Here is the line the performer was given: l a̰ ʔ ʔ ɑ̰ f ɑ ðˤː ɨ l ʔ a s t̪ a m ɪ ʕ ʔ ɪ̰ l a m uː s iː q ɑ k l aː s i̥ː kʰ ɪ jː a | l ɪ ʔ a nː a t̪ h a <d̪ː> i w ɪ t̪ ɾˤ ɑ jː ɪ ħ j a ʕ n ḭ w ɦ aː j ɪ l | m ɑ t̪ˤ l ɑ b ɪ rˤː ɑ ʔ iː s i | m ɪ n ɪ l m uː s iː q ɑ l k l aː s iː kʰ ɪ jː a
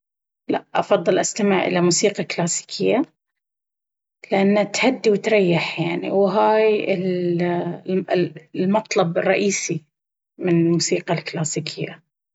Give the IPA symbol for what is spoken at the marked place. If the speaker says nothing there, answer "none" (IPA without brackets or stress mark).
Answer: d̪ː